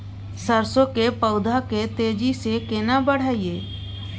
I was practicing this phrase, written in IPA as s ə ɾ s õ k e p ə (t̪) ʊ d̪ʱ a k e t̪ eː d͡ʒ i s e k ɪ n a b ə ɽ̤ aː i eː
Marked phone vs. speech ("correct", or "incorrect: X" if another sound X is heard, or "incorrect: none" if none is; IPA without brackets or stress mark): incorrect: none